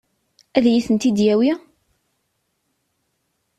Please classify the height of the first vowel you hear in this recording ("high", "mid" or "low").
low